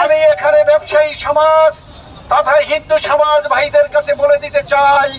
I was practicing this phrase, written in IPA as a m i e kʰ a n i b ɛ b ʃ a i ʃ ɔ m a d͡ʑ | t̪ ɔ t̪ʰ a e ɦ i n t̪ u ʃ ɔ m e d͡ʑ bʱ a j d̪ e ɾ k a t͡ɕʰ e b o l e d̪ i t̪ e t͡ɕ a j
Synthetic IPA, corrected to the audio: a m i e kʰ a n e b ɛ b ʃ a i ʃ ɔ m a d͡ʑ | t̪ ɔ t̪ʰ a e ɦ i n d̪ u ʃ ɔ m a d͡ʑ bʱ a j d̪ e ɾ k a t͡ɕʰ e b o l e d̪ i t̪ e t͡ɕ a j

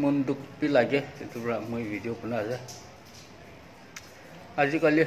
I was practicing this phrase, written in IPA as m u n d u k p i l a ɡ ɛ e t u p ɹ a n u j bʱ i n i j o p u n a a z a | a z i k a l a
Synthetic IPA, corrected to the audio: m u n d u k p i l a ɡ ɛ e t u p ɹ a m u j bʱ i d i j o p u n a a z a | a z i k a l i

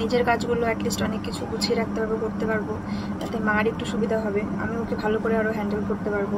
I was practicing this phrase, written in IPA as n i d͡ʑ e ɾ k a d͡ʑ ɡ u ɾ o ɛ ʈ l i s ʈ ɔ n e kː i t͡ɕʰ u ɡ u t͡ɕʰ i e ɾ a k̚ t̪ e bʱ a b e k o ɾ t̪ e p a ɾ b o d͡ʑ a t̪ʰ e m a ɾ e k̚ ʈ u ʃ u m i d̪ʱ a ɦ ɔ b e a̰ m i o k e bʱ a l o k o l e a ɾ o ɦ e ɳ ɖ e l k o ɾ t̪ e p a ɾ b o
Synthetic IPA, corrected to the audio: n i d͡ʑ e ɾ k a d͡ʑ ɡ u l o ɛ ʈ l i s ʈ ɔ n e kː i t͡ɕʰ u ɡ u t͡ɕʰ i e ɾ a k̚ t̪ e bʱ a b e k o ɾ t̪ e p a ɾ b o d͡ʑ a t̪ e m a ɾ e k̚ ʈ u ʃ u b i d̪ʱ a ɦ ɔ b e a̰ m i o k e bʱ a l o k o ɾ e a ɾ o ɦ ɛ ɳ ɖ e l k o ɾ t̪ e p a ɾ b o

